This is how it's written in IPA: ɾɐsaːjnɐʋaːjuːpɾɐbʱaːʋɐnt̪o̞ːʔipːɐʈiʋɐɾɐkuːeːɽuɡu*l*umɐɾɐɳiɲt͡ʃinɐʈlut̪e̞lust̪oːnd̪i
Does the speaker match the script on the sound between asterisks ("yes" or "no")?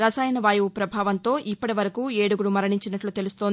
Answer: no